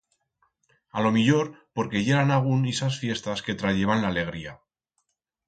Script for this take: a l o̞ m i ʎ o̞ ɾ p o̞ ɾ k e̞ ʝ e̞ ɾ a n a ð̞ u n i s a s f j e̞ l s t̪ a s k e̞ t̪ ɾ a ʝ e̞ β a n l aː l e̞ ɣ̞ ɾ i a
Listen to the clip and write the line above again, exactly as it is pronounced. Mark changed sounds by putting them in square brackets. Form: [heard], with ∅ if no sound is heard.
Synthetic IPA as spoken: a l o̞ m i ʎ o̞ ɾ p o̞ ɾ k e̞ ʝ e̞ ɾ a n a [ɣ̞] u n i s a s f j e̞ [∅] s t̪ a s k e̞ t̪ ɾ a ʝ e̞ β a n l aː l e̞ ɣ̞ ɾ i a